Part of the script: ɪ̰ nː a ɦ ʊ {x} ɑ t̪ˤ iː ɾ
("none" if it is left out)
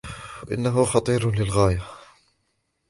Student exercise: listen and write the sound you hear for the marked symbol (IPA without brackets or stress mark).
x